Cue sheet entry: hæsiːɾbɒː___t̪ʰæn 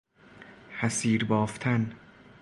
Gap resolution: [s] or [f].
f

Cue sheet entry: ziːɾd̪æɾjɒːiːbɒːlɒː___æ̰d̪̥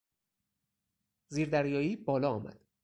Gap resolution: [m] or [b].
m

